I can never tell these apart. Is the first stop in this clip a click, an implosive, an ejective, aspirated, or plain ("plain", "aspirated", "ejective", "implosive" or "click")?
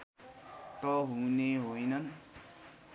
plain